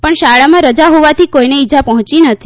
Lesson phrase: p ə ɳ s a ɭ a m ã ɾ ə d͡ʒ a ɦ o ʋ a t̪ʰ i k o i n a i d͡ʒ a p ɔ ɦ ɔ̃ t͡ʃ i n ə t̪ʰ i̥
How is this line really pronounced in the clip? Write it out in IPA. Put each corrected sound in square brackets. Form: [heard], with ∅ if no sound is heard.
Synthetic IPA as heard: p ə ɳ [ʃ] a ɭ a m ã ɾ ə d͡ʒ a ɦ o ʋ a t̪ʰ i k o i n [e] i d͡ʒ a p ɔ ɦ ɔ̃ t͡ʃ i n ə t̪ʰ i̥